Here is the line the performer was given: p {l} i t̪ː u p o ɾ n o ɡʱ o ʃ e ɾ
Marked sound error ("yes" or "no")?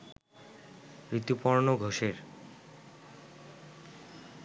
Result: yes